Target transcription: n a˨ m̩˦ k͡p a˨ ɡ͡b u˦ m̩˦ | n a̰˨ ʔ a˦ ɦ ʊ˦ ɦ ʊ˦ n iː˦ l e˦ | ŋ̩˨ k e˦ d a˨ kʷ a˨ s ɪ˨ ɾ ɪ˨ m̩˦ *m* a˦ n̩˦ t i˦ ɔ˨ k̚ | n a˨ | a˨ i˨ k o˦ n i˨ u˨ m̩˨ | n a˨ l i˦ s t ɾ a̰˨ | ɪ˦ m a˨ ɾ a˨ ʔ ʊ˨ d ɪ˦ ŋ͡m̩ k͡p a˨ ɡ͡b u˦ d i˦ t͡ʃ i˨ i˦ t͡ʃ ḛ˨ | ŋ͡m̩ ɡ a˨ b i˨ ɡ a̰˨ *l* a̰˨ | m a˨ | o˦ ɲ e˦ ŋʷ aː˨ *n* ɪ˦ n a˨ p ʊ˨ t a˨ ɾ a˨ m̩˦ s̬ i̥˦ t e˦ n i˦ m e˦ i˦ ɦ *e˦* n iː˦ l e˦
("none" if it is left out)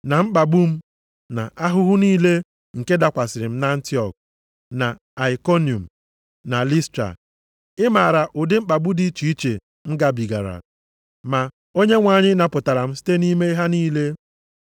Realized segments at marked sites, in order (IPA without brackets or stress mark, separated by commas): n, ɾ, ɲ, a˦